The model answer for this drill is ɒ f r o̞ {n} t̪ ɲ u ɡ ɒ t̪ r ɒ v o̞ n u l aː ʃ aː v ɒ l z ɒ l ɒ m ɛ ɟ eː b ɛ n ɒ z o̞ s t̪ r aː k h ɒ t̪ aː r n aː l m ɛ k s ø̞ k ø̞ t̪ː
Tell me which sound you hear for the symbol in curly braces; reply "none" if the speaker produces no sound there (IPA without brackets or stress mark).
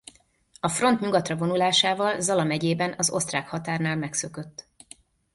n